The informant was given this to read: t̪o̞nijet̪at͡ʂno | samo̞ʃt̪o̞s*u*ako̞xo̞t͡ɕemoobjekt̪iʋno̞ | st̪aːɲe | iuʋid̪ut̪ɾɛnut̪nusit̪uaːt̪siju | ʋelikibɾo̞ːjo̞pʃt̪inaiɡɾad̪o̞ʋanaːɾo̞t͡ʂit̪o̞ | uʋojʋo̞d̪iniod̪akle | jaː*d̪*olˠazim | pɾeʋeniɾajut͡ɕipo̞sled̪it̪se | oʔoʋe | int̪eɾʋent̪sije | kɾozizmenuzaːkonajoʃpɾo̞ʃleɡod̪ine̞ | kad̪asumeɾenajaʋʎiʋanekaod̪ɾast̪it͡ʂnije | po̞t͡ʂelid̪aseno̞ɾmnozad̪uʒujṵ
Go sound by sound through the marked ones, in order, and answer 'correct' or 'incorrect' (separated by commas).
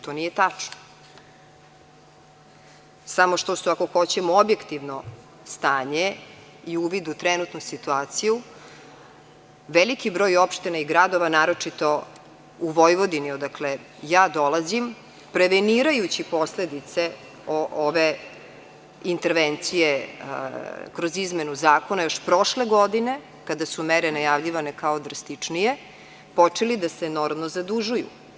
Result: correct, correct